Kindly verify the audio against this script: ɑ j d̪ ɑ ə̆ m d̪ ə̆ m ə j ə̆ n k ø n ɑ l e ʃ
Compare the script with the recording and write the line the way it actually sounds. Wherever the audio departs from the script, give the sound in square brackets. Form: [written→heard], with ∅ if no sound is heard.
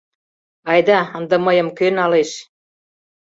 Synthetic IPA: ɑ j d̪ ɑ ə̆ [m→n] d̪ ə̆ m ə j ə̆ [n→m] k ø n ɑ l e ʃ